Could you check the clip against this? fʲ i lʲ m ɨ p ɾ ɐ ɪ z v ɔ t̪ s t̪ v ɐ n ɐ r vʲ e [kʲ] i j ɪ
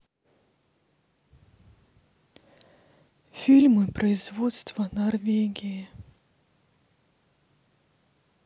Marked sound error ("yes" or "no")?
yes